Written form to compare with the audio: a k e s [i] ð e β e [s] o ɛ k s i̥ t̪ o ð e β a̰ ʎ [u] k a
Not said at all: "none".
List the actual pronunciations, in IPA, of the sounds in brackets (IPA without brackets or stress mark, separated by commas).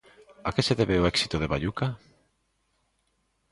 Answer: e, none, u